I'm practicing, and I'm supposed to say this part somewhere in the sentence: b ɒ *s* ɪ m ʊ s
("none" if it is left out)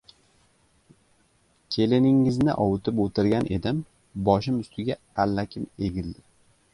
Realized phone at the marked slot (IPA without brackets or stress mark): ʃ